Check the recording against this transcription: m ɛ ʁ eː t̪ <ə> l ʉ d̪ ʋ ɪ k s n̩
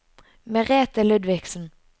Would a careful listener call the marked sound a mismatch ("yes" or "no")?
no